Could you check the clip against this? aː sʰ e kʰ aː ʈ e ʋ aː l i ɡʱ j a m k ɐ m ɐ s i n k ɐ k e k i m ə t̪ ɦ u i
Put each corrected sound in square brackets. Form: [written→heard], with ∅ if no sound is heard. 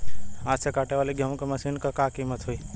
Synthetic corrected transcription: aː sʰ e [kʰ→k] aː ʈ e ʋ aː l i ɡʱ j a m k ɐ m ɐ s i n k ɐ k [e→a] k i m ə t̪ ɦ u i